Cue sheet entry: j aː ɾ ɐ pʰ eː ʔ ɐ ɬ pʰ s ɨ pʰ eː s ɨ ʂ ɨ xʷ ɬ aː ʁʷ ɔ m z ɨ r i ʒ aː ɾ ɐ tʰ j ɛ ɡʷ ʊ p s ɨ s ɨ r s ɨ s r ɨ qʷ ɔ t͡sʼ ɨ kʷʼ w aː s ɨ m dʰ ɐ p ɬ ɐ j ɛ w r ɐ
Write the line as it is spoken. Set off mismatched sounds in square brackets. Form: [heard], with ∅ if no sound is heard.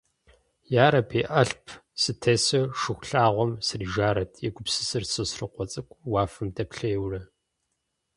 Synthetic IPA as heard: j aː ɾ ɐ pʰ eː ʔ ɐ ɬ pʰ s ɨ [tʰ] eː s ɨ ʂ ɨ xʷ ɬ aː ʁʷ ɔ m [s] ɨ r i ʒ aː ɾ ɐ tʰ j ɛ ɡʷ ʊ p s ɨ s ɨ r s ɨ s r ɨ qʷ ɔ t͡sʼ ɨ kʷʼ w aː [f] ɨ m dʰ ɐ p ɬ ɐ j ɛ w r ɐ